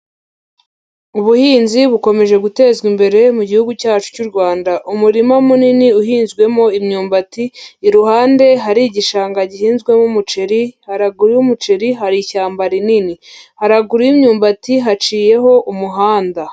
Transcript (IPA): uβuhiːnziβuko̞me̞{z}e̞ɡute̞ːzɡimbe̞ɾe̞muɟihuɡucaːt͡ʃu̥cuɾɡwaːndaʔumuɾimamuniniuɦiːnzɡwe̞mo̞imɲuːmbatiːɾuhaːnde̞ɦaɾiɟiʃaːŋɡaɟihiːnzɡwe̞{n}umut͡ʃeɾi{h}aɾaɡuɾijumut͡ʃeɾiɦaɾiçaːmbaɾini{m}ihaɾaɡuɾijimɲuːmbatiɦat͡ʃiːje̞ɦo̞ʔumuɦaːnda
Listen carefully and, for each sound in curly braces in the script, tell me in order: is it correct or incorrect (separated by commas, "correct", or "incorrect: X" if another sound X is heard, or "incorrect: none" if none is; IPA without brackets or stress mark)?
incorrect: ʒ, incorrect: m, correct, incorrect: n